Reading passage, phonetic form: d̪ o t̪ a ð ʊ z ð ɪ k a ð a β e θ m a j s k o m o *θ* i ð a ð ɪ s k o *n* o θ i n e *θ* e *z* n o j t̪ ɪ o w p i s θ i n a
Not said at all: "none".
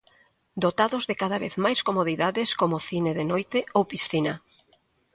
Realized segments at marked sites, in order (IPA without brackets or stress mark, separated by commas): ð, m, ð, none